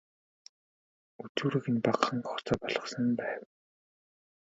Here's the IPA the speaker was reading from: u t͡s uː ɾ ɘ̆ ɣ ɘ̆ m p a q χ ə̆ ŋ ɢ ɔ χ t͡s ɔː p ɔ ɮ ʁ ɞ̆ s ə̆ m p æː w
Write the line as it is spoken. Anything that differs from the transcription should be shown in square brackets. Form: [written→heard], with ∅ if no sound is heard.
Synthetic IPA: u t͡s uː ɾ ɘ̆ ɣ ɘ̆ [m→n] p a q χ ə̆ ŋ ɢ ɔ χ t͡s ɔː p ɔ ɮ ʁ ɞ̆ s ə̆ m p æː w